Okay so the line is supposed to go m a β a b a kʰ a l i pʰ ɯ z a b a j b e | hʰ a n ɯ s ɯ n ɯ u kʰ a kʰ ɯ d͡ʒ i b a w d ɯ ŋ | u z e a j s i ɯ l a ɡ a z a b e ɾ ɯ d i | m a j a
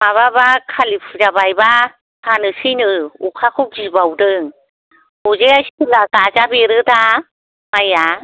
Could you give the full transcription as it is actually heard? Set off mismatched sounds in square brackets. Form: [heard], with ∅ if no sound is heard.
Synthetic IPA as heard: m a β a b a kʰ a l i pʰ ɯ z a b a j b [a] | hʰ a n ɯ s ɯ n ɯ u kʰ a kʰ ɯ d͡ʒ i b a w d ɯ ŋ | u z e a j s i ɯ l a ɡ a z a b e ɾ ɯ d [a] | m a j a